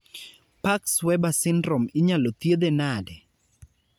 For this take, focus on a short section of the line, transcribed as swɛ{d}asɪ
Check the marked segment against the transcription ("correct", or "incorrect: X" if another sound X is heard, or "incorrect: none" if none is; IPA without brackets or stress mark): incorrect: b